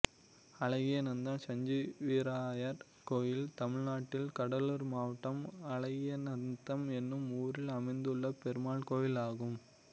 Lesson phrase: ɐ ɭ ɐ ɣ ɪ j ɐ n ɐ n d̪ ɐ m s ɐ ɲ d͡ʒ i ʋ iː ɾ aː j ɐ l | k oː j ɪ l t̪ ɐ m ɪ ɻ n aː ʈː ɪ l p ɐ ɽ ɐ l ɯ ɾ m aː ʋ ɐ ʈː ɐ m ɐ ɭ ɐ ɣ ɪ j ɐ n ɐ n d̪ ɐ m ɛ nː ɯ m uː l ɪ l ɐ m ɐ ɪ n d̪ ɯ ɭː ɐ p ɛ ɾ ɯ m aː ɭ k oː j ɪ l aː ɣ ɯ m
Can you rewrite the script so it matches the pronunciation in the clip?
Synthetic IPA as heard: ɐ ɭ ɐ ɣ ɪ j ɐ n ɐ n d̪ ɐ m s ɐ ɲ d͡ʒ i ʋ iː ɾ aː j ɐ ɾ | k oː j ɪ l t̪ ɐ m ɪ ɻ n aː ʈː ɪ l k ɐ ɽ ɐ l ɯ ɾ m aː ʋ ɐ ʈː ɐ m ɐ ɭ ɐ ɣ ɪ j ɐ n ɐ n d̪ ɐ m ɛ nː ɯ m uː ɾ ɪ l ɐ m ɐ ɪ n d̪ ɯ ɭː ɐ p ɛ ɾ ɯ m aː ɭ k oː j ɪ l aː ɣ ɯ m

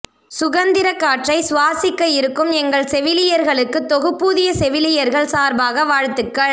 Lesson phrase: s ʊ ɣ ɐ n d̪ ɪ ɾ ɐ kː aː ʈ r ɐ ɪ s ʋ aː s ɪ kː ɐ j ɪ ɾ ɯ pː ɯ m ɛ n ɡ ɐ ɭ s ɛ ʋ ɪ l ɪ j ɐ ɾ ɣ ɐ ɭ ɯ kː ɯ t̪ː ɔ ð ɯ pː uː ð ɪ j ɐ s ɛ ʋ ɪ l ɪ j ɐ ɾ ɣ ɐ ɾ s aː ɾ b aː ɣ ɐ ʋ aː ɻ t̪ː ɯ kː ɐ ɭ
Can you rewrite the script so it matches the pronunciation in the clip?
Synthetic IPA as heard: s ʊ ɣ ɐ n d̪ ɪ ɾ ɐ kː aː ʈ r ɐ ɪ s ʋ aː s ɪ kː ɐ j ɪ ɾ ɯ kː ɯ m ɛ ŋ ɡ ɐ ɭ s ɛ ʋ ɪ l ɪ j ɐ ɾ ɣ ɐ ɭ ɯ kː ɯ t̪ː ɔ ɣ ɯ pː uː ð ɪ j ɐ s ɛ ʋ ɪ l ɪ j ɐ ɾ ɣ ɐ ɭ s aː ɾ b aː ɣ ɐ ʋ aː ɻ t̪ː ɯ kː ɐ ɭ

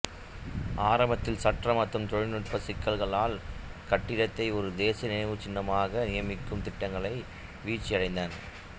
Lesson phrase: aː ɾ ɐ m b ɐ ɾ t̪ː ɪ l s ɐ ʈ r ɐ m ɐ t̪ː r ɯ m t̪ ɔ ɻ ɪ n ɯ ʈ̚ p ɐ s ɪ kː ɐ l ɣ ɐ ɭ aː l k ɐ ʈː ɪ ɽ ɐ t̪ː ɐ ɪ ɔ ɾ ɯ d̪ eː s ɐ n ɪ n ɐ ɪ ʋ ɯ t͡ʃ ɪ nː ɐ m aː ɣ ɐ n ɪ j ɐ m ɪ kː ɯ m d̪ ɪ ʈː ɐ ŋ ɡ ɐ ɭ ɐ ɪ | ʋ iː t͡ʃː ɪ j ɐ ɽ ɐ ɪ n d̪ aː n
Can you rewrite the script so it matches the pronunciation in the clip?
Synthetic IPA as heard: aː ɾ ɐ m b ɐ t̪ː ɪ l s ɐ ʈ r ɐ m ɐ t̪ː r ɯ m t̪ ɔ ɻ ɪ n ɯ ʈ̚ p ɐ s ɪ kː ɐ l ɣ ɐ ɭ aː l k ɐ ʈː ɪ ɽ ɐ t̪ː ɐ ɪ ɔ ɾ ɯ d̪ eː s ɐ n ɪ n ɐ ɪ ʋ ɯ t͡ʃ ɪ nː ɐ m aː ɣ ɐ n ɪ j ɐ m ɪ kː ɯ m t̪ ɪ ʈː ɐ ŋ ɡ ɐ ɭ ɐ ɪ | ʋ iː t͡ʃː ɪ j ɐ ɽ ɐ ɪ n d̪ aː n

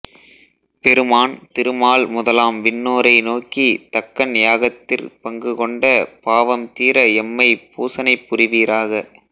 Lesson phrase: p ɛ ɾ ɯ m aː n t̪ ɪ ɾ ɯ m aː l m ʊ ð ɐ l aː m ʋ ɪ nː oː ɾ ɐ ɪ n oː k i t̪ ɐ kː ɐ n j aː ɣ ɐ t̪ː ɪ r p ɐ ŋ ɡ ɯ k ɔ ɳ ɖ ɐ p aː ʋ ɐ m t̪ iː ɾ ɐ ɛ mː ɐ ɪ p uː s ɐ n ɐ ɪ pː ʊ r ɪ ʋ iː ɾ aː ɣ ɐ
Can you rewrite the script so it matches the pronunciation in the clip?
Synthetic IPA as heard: p ɛ ɾ ɯ m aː n t̪ ɪ ɾ ɯ m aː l m ʊ ð ɐ l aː m ʋ ɪ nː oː ɾ ɐ ɪ n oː k i t̪ ɐ kː ɐ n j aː ɣ ɐ t̪ː ɪ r p ɐ ŋ ɡ ɯ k ɔ ɳ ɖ ɐ p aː ʋ ɐ m t̪ iː ɾ ɐ ɛ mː ɐ ɪ p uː s ɐ n ɐ ɪ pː ʊ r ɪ ʋ iː ɾ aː ɣ ɐ

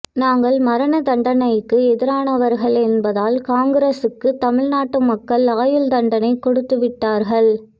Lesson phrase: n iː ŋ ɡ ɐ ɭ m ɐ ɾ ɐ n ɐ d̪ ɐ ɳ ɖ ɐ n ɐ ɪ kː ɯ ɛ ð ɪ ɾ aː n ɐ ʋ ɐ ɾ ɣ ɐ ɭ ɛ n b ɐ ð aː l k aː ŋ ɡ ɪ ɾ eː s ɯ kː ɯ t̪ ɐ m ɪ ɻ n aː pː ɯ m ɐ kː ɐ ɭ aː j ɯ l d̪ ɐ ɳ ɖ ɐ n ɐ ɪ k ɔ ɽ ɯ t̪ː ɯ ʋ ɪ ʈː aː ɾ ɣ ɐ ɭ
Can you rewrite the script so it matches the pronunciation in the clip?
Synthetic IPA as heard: n aː ŋ ɡ ɐ ɭ m ɐ ɾ ɐ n ɐ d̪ ɐ ɳ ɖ ɐ n ɐ ɪ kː ɯ ɛ ð ɪ ɾ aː n ɐ ʋ ɐ ɾ ɣ ɐ ɭ ɛ n b ɐ ð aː l k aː ŋ ɡ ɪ ɾ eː s ɯ kː ɯ t̪ ɐ m ɪ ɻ n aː ʈː ɯ m ɐ kː ɐ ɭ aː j ɯ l d̪ ɐ ɳ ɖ ɐ n ɐ ɪ k ɔ ɽ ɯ t̪ː ɯ ʋ ɪ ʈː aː ɾ ɣ ɐ ɭ

